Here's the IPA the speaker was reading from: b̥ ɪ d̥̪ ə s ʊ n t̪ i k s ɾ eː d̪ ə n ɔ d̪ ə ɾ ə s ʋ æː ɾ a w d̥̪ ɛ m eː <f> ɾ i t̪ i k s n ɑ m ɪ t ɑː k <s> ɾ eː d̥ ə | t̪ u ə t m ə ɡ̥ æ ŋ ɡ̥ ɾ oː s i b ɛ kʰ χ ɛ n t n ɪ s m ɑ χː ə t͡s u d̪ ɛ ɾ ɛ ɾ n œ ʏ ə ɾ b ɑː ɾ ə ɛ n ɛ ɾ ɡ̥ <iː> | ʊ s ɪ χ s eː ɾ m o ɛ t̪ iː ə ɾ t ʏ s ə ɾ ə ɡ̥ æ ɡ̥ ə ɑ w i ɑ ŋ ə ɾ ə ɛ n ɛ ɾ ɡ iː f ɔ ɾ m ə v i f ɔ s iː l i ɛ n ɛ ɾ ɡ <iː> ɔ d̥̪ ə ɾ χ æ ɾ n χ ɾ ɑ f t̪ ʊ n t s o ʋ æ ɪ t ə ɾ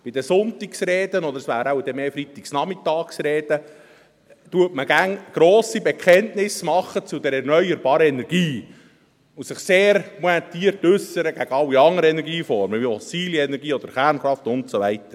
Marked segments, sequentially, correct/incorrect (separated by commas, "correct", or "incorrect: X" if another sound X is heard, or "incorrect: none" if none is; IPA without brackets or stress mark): correct, correct, correct, correct